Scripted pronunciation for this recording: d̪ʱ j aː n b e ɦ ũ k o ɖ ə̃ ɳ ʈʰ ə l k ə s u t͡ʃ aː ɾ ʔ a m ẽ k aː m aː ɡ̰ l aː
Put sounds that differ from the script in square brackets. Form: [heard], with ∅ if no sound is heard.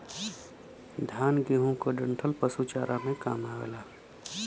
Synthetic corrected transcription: d̪ʱ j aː n [ɡ] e ɦ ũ k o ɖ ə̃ ɳ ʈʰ ə l [p] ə s u t͡ʃ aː ɾ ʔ a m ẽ k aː m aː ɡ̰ l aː